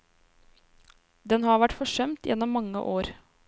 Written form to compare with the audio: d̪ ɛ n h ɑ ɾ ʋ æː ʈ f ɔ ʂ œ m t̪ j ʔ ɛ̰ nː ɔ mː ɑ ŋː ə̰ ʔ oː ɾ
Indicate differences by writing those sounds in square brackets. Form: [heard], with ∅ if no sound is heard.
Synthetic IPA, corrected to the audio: d̪ ɛ n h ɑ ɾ ʋ [æ] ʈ f ɔ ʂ œ m t̪ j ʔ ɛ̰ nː ɔ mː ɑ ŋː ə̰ ʔ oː ɾ